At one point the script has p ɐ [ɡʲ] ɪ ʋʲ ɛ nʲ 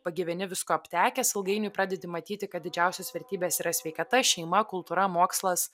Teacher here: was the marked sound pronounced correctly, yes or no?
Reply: yes